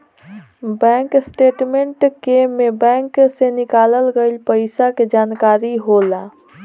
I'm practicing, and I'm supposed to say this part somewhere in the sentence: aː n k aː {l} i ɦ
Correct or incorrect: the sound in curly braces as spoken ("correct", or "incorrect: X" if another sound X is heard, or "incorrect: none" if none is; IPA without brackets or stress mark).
incorrect: ɾ